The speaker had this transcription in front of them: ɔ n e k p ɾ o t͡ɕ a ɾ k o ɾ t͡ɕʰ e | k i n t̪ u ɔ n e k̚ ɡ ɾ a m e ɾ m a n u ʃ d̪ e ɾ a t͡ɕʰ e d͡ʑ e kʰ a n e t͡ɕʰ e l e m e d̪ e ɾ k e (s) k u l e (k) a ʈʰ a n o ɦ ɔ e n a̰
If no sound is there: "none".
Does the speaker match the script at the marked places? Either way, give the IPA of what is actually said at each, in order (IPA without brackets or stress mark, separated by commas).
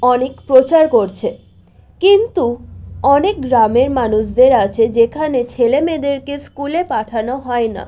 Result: s, p